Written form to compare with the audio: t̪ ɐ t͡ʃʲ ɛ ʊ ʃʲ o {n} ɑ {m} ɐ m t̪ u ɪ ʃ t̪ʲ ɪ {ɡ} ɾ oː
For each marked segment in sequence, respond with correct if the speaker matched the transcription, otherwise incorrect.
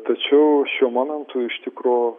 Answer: incorrect, incorrect, incorrect

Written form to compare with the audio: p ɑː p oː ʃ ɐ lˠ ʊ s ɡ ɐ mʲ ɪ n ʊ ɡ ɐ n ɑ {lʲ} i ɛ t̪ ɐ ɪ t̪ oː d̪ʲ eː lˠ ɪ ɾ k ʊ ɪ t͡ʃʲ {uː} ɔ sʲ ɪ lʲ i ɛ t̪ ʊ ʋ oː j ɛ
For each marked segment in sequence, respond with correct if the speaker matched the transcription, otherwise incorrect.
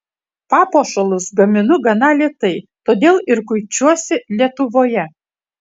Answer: correct, incorrect

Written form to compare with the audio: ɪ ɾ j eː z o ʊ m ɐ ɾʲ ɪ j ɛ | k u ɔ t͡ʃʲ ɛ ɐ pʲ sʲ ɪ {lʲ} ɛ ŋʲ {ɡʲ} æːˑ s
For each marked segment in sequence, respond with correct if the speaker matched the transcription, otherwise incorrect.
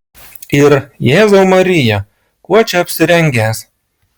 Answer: incorrect, correct

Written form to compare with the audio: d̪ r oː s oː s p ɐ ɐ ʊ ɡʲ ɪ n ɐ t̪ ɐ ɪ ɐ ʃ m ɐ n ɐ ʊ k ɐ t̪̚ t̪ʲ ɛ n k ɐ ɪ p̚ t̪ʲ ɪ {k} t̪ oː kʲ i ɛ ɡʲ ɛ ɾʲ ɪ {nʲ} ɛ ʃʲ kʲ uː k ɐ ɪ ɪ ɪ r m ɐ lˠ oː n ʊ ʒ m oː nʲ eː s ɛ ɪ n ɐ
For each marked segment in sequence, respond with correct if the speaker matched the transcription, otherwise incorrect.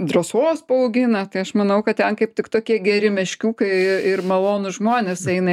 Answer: correct, incorrect

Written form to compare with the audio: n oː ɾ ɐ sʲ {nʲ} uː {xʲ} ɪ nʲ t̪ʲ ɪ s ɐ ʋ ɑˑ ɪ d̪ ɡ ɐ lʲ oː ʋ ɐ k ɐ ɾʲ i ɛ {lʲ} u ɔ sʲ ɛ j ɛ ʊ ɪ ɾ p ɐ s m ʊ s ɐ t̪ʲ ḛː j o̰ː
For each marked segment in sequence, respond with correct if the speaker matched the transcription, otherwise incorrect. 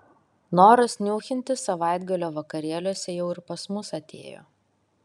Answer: correct, correct, correct

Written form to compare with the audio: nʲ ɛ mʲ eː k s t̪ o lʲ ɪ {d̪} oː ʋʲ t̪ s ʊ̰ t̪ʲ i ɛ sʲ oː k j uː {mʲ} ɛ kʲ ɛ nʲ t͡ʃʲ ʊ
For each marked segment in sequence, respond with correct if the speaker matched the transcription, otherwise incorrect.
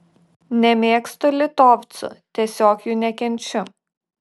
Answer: incorrect, incorrect

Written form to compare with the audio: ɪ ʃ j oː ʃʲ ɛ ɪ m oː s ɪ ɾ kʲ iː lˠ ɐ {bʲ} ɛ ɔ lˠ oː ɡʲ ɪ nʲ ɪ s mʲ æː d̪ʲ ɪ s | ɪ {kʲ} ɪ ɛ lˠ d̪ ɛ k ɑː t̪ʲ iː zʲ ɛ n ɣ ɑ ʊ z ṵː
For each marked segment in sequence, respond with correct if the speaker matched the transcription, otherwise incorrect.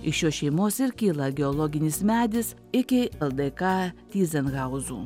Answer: incorrect, correct

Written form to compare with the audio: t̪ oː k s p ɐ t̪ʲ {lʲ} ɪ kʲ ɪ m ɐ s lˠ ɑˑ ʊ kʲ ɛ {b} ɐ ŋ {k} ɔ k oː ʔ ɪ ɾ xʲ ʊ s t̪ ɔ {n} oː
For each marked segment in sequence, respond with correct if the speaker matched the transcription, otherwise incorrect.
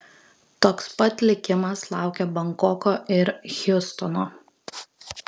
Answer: correct, correct, correct, correct

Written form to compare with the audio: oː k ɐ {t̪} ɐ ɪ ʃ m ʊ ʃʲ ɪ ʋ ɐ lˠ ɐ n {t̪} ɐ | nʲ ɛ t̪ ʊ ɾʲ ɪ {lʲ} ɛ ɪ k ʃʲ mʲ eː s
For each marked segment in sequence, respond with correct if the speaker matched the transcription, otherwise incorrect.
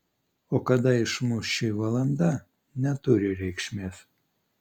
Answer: incorrect, incorrect, incorrect

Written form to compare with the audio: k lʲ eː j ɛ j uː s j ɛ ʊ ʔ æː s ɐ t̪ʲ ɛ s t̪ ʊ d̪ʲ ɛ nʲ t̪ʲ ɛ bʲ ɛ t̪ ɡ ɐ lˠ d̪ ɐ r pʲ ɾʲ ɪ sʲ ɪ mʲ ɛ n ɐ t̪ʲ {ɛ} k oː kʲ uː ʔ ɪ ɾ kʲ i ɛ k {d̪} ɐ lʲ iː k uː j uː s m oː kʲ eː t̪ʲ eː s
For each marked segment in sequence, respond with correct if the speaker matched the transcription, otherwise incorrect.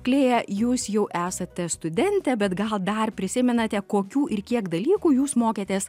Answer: correct, correct

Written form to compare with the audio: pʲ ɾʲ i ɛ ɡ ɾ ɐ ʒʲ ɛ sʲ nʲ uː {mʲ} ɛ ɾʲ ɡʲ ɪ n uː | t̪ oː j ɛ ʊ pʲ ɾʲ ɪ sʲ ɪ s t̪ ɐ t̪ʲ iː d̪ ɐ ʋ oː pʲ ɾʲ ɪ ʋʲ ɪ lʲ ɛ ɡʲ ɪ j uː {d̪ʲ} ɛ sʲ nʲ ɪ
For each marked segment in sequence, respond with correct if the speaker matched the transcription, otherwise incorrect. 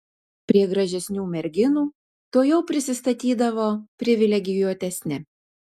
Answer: correct, incorrect

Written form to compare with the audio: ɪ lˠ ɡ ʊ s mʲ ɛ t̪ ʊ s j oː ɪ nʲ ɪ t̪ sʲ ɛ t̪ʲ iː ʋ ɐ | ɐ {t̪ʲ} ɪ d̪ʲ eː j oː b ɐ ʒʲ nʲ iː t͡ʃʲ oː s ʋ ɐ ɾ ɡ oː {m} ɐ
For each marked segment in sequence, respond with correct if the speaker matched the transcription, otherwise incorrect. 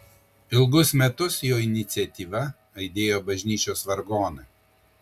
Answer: incorrect, incorrect

